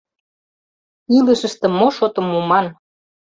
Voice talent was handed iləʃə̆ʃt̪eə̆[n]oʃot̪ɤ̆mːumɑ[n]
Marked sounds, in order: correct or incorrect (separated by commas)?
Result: incorrect, correct